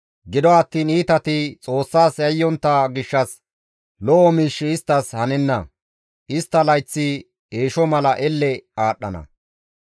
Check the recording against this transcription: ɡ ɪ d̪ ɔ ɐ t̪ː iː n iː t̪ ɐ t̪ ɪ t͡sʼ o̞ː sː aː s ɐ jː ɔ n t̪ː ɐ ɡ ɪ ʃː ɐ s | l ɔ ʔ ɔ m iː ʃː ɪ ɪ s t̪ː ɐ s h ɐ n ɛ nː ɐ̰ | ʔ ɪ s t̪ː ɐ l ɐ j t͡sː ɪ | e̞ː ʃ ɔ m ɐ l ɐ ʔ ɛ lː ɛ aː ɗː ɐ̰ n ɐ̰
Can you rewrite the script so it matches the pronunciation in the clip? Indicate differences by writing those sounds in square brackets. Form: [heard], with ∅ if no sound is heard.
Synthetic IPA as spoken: ɡ ɪ d̪ ɔ ɐ t̪ː iː n iː t̪ ɐ t̪ ɪ t͡sʼ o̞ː sː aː s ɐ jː ɔ n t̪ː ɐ ɡ ɪ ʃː ɐ s | l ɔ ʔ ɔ m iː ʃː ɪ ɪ s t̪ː ɐ s h ɐ n ɛ nː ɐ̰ | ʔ ɪ s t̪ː ɐ l ɐ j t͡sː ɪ | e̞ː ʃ ɔ m ɐ l ɐ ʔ ɛ lː ɛ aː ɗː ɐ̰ n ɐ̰

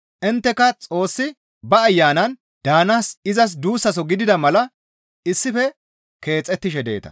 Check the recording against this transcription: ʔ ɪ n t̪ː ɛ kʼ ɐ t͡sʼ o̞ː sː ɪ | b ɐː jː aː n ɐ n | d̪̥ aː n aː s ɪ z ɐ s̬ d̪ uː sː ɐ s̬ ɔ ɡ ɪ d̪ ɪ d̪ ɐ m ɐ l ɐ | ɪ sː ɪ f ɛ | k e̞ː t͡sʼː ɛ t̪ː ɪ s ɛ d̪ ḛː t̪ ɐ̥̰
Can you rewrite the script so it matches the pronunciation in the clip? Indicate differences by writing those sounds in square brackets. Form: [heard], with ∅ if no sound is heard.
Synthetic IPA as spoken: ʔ ɪ n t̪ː ɛ [k] ɐ t͡sʼ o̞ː sː ɪ | b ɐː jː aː n ɐ n | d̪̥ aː n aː s ɪ z ɐ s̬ d̪ uː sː ɐ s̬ ɔ ɡ ɪ d̪ ɪ d̪ ɐ m ɐ l ɐ | ɪ sː ɪ f ɛ | k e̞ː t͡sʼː ɛ t̪ː ɪ [ʃ] ɛ d̪ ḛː t̪ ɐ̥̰

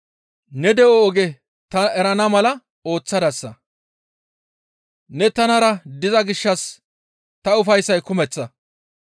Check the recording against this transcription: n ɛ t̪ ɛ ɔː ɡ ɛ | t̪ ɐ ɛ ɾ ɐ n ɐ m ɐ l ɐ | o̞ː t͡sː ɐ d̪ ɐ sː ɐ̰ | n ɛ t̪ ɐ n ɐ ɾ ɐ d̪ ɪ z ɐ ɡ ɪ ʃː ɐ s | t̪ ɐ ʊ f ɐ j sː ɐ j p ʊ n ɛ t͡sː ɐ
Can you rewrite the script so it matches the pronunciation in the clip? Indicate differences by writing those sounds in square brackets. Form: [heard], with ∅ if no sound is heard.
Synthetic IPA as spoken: n ɛ [d̪] ɛ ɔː ɡ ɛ | t̪ ɐ ɛ ɾ ɐ n ɐ m ɐ l ɐ | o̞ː t͡sː ɐ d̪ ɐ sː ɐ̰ | n ɛ t̪ ɐ n ɐ ɾ ɐ d̪ ɪ z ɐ ɡ ɪ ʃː ɐ s | t̪ ɐ ʊ f ɐ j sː ɐ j [k] ʊ [m] ɛ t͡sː ɐ

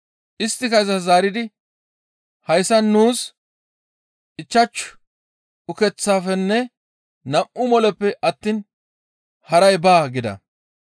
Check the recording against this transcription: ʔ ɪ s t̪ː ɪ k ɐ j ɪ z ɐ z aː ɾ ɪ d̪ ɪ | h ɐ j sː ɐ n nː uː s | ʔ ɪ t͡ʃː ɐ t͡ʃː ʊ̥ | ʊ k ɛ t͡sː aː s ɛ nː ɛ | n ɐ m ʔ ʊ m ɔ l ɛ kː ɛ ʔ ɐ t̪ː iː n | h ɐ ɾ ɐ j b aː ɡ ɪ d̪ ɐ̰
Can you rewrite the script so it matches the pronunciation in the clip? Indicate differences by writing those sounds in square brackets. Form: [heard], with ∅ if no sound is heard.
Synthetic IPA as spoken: ʔ ɪ s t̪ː ɪ k ɐ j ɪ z ɐ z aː ɾ ɪ d̪ ɪ | h ɐ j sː ɐ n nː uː s | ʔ ɪ t͡ʃː ɐ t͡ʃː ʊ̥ | ʊ k ɛ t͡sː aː [f] ɛ nː ɛ | n ɐ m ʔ ʊ m ɔ l ɛ [pː] ɛ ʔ ɐ t̪ː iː n | h ɐ ɾ ɐ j b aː ɡ ɪ d̪ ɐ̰

